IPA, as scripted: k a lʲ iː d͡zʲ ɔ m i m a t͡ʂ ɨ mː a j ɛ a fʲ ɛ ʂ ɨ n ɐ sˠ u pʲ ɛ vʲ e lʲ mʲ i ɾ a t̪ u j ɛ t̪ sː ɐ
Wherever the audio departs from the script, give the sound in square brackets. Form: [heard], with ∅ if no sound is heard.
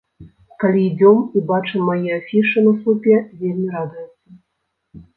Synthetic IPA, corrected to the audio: k a lʲ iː d͡zʲ ɔ m i [b] a t͡ʂ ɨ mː a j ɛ a fʲ [i] ʂ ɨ n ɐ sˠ u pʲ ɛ vʲ e lʲ mʲ i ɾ a [d̪] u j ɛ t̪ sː ɐ